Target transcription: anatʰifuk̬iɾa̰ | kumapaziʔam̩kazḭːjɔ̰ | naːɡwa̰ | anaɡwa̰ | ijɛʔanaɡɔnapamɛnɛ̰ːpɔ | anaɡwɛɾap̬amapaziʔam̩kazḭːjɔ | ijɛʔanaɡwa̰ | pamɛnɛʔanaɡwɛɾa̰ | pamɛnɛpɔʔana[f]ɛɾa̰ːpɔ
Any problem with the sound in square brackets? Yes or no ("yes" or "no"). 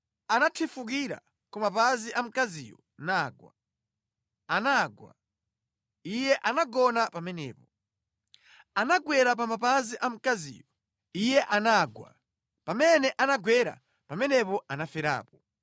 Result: no